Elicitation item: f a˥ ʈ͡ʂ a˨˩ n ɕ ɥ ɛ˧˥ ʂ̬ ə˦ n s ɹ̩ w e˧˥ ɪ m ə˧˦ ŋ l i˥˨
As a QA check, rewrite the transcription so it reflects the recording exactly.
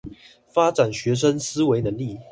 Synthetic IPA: f a˥ ʈ͡ʂ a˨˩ n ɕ ɥ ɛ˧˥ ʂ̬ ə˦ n s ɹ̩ w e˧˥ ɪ n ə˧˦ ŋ l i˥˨